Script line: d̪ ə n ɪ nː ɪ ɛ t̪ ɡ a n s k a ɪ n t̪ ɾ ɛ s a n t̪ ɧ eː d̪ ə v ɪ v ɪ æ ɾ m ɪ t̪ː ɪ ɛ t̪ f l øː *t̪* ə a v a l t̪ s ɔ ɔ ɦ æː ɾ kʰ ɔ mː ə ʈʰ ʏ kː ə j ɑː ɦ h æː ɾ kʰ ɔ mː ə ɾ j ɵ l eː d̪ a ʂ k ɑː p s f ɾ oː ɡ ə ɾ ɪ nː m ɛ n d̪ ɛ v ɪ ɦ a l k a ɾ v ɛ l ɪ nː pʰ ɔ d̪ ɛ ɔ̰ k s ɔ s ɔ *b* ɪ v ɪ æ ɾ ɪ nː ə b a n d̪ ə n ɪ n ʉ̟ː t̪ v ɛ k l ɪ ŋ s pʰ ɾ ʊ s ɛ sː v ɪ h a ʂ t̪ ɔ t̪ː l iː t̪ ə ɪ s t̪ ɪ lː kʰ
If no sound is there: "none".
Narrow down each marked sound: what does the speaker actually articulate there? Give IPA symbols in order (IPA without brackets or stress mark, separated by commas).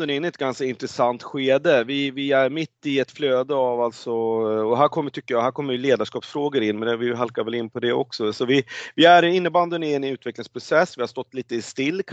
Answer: d̪, v